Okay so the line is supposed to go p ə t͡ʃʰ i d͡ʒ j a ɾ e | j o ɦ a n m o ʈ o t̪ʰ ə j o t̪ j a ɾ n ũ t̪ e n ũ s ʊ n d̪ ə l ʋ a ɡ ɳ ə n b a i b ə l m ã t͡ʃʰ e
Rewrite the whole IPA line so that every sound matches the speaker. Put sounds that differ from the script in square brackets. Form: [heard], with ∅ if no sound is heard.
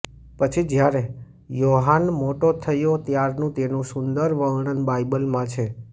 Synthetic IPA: p ə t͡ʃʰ i d͡ʒ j a ɾ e | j o ɦ a n m o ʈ o t̪ʰ ə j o t̪ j a ɾ n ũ t̪ e n ũ s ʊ n d̪ ə [ɾ] ʋ [ə] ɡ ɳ ə n b a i b ə l m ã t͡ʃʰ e